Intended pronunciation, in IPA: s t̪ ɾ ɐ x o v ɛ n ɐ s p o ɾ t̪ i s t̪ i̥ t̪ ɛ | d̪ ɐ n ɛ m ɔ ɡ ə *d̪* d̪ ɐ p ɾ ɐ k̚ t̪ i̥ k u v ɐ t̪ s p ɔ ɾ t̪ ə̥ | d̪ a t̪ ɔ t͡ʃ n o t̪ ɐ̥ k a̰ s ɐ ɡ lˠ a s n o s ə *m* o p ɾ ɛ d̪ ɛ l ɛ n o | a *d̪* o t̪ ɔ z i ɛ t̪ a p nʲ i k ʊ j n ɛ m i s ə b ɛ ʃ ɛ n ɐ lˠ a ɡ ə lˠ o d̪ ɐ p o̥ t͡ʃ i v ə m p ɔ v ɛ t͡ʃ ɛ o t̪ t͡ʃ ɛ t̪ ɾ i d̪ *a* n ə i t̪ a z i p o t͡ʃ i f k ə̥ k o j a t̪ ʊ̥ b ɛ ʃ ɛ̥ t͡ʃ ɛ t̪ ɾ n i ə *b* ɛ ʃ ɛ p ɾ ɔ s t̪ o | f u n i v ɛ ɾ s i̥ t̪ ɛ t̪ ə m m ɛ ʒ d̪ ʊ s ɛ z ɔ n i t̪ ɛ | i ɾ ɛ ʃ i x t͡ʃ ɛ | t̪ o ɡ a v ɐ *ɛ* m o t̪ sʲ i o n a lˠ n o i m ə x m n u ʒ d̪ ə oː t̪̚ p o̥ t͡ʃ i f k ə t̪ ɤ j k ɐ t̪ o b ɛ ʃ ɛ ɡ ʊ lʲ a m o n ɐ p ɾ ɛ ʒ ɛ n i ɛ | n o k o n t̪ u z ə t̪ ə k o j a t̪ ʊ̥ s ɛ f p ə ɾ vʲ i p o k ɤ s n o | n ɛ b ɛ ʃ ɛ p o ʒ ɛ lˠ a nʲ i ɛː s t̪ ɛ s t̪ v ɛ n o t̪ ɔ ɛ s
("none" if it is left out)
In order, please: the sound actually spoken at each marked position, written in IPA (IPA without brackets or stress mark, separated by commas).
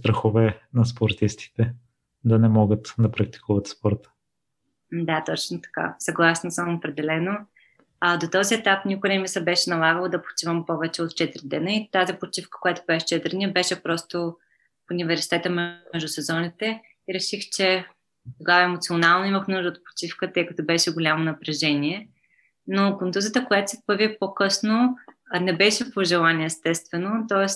t̪, m, d̪, ɛ, b, ɛ